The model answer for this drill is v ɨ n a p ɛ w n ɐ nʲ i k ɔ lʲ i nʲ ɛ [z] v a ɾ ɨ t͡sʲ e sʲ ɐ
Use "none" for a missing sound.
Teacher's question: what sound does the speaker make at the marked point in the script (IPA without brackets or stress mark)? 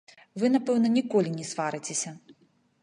s